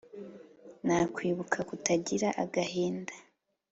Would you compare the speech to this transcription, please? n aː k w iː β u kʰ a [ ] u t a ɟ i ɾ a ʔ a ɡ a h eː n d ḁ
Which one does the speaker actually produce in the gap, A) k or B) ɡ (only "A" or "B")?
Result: A